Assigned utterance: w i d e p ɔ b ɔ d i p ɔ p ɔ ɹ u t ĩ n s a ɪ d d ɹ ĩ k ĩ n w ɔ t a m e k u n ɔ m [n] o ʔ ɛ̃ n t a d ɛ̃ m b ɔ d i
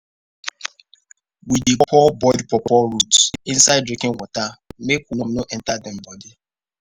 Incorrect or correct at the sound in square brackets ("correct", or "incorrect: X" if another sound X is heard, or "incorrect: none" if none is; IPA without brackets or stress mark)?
correct